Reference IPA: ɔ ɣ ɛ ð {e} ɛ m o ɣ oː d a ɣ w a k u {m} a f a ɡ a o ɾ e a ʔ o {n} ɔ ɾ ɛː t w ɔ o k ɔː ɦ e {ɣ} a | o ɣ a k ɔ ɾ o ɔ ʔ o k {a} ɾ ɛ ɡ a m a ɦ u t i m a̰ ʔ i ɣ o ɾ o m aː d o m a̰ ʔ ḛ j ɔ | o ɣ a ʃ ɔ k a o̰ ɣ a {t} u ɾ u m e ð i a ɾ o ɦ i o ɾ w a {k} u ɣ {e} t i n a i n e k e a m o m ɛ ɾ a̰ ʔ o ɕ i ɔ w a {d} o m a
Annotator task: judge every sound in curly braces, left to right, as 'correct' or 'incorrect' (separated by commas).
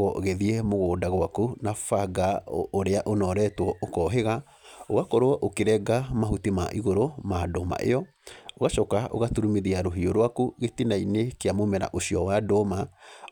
incorrect, incorrect, correct, correct, incorrect, correct, correct, correct, correct